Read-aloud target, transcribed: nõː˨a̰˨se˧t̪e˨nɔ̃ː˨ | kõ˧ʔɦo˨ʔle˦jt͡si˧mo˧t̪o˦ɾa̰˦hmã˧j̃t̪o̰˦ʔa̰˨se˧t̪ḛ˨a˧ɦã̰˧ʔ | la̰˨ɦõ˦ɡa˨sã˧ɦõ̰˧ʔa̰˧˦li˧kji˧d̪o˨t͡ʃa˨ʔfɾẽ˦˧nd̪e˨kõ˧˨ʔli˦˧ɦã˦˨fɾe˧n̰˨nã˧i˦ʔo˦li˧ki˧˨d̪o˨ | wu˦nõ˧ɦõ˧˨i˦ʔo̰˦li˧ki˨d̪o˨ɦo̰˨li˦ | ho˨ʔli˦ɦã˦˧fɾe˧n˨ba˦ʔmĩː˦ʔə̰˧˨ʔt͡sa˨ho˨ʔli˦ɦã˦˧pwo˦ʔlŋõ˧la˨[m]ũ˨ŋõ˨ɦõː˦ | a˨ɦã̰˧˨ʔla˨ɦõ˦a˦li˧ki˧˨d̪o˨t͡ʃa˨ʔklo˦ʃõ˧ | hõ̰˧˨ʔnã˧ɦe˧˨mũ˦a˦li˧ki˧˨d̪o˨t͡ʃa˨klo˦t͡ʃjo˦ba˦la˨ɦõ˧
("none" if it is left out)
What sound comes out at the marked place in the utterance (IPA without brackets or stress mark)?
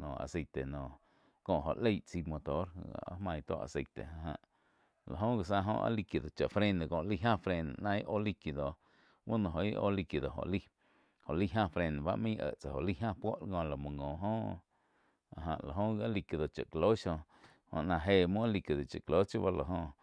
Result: m